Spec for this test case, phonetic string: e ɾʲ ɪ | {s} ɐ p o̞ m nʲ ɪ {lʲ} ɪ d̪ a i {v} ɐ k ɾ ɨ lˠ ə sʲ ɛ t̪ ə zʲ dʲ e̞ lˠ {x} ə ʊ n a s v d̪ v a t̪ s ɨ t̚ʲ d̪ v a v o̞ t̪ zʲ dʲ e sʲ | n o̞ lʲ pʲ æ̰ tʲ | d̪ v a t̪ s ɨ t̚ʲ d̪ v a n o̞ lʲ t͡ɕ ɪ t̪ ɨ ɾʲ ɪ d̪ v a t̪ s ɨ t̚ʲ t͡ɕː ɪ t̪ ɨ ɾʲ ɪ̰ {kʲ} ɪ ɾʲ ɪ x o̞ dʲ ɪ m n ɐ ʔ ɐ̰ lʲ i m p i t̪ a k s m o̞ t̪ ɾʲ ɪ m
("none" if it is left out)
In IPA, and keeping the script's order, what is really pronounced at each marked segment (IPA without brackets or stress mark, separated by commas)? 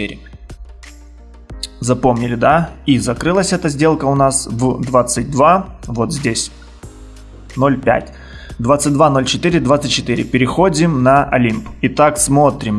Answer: z, lʲ, z, k, pʲ